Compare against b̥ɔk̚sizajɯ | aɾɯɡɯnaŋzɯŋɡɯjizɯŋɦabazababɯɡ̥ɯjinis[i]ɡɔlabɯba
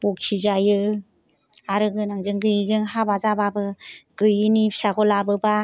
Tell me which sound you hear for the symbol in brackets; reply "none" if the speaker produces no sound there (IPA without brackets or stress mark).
a